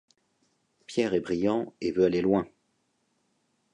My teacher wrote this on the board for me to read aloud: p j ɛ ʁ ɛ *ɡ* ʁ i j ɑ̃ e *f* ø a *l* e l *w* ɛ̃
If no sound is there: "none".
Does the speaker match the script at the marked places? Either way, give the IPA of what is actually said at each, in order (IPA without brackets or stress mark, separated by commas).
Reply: b, v, l, w